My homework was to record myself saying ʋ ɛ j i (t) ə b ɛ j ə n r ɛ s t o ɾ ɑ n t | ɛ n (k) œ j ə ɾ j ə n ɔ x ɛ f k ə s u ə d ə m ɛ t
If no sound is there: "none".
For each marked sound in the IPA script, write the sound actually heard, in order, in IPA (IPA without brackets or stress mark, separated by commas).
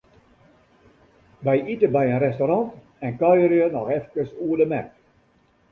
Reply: t, k